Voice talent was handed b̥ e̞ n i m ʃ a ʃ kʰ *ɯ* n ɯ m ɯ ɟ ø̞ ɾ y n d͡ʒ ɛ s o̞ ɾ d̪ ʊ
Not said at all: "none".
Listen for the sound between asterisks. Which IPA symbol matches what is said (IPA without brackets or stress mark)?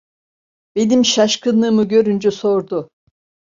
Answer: ɯ